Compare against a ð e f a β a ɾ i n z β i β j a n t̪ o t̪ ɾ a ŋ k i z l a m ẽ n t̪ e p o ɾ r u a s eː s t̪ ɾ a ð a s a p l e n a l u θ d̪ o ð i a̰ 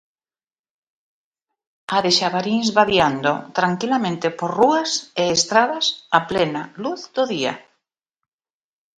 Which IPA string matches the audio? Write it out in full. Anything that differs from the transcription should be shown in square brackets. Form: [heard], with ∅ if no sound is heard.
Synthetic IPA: a ð e [ʃ] a β a ɾ i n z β [a] β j a n [d̪] o t̪ ɾ a ŋ k i [∅] l a m ẽ n t̪ e p o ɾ r u a s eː s t̪ ɾ a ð a s a p l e n a l u θ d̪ o ð i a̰